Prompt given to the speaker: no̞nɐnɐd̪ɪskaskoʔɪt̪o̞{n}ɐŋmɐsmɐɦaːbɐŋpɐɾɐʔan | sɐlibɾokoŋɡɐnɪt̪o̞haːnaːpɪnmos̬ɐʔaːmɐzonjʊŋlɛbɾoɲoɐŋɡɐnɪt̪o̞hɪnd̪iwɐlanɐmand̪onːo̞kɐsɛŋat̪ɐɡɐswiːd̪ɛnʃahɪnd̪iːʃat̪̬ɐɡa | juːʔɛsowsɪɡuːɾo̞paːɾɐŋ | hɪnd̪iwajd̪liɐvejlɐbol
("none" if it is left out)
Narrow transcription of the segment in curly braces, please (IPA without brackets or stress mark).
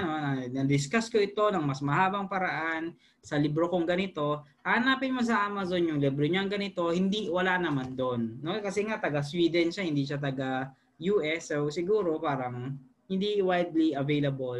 n